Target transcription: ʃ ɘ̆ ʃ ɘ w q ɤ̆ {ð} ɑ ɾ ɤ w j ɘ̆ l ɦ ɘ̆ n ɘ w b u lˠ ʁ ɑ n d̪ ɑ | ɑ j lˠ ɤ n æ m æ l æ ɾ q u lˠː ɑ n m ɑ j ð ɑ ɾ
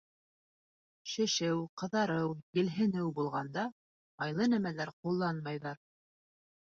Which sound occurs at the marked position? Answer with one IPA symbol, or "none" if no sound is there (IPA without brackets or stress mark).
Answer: ð